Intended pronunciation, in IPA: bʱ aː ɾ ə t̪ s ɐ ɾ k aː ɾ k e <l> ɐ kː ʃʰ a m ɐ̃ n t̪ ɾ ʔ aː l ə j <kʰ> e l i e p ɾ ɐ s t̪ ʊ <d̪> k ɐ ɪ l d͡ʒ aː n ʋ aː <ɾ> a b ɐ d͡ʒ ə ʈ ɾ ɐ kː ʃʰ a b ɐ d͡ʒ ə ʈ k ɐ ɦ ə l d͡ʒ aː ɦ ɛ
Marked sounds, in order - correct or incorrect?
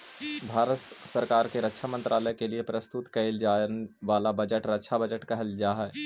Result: incorrect, incorrect, incorrect, incorrect

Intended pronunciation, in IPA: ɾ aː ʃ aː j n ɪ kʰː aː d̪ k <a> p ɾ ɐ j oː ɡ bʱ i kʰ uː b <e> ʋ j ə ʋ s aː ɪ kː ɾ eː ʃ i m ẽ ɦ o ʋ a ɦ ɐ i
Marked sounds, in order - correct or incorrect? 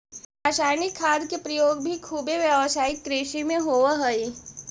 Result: incorrect, correct

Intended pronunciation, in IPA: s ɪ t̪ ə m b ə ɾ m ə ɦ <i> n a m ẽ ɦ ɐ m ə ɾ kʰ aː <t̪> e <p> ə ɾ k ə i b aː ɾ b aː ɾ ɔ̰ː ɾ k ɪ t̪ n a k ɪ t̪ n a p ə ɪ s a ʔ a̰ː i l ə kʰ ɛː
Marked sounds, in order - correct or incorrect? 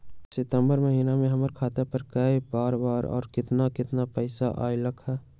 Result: incorrect, correct, correct

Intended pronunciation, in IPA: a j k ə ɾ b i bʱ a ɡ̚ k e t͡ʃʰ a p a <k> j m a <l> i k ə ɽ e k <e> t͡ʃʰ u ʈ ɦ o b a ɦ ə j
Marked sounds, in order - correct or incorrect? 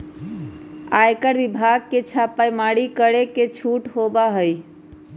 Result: incorrect, incorrect, correct

